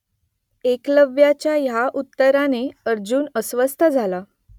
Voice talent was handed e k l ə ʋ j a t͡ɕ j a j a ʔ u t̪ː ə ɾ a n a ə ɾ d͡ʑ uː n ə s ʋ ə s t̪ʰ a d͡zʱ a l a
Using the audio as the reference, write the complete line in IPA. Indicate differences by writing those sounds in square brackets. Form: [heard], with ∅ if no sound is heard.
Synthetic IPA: e k l ə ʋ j a t͡ɕ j a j a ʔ u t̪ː ə ɾ a n [e] ə ɾ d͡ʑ uː n ə s ʋ ə s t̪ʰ [ə] d͡zʱ a l a